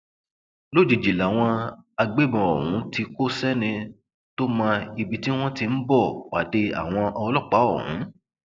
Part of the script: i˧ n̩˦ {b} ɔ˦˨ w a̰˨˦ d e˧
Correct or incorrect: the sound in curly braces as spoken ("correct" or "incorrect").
correct